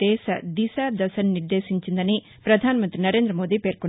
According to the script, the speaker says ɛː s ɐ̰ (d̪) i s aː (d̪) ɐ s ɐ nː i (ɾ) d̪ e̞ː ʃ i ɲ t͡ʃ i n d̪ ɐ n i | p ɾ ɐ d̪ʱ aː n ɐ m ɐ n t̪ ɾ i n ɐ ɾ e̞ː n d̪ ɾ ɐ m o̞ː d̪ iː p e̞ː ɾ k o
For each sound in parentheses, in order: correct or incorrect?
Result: correct, correct, correct

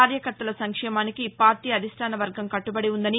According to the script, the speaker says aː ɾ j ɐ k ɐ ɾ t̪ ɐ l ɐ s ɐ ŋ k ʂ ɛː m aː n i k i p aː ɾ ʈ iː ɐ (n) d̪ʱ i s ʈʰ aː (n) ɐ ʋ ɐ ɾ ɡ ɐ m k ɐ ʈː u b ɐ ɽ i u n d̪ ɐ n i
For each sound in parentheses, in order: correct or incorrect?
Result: incorrect, correct

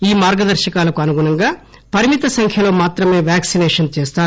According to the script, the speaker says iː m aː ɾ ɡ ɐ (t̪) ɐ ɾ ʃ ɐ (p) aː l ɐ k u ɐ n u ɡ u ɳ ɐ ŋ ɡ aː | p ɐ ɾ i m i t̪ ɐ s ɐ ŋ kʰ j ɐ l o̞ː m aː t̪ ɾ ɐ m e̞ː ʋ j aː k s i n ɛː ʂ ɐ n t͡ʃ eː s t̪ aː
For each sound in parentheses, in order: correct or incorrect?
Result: incorrect, incorrect

